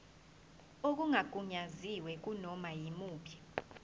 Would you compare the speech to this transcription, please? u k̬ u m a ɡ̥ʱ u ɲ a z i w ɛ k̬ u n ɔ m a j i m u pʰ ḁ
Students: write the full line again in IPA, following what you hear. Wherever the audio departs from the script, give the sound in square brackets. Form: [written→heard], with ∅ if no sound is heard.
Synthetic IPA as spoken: [u→o] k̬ u [m→ŋ] a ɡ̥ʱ u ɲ a z i w ɛ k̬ u n ɔ m a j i m [u→uː] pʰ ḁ